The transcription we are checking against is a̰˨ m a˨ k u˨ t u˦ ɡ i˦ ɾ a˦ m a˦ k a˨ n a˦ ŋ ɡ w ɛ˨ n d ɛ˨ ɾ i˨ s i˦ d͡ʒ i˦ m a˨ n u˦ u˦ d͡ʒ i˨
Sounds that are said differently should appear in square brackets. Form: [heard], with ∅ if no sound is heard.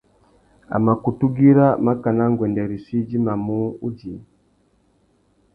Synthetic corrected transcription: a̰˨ m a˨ k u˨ t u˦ ɡ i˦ ɾ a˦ m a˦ k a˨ n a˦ ŋ ɡ w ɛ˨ n d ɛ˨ ɾ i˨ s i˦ d͡ʒ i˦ m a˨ [m] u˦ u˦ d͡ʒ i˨